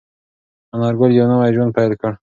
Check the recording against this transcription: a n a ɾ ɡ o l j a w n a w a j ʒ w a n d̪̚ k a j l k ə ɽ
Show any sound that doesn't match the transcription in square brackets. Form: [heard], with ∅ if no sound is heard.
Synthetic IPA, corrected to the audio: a n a ɾ ɡ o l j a w n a w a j ʒ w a n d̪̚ [p] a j l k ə ɽ